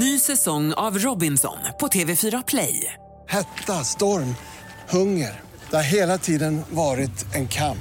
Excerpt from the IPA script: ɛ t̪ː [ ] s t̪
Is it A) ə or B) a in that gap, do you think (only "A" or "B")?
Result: B